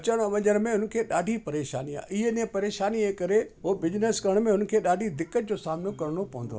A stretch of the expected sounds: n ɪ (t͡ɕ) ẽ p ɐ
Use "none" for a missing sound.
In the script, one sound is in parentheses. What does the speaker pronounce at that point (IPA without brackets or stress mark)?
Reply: none